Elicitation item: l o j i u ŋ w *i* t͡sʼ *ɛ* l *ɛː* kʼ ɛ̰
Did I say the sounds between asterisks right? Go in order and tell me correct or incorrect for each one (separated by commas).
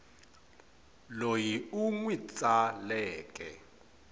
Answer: correct, incorrect, correct